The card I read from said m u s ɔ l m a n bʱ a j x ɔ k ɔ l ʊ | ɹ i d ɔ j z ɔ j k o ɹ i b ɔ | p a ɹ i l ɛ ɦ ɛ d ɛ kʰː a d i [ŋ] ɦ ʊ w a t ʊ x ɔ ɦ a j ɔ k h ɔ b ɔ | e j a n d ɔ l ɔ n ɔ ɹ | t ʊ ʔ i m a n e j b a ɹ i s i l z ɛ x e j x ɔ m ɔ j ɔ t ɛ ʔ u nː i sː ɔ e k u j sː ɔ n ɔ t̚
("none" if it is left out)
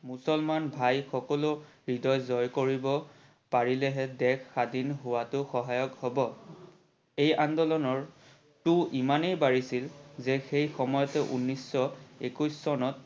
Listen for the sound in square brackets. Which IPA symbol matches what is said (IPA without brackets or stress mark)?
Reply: n